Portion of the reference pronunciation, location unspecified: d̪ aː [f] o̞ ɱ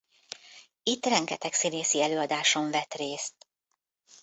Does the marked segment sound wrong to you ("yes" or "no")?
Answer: yes